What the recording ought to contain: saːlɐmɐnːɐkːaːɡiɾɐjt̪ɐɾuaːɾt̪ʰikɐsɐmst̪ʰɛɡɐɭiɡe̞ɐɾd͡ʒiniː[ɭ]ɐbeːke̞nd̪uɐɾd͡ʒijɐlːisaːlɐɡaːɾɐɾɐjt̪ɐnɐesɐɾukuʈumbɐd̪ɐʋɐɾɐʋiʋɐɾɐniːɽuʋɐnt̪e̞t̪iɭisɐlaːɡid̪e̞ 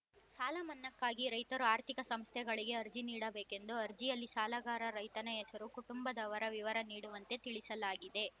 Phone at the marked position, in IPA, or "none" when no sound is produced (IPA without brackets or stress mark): ɽ